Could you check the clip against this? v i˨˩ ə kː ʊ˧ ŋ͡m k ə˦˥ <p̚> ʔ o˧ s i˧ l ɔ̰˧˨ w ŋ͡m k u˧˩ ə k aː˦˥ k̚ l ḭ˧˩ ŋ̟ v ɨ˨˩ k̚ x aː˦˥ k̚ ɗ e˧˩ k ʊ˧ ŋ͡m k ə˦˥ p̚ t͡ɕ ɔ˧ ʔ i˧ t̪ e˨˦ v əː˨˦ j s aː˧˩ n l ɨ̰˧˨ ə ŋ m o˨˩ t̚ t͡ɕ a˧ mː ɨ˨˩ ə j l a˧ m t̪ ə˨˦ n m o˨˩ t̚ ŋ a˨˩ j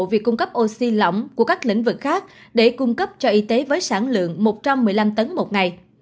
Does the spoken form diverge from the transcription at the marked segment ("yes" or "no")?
no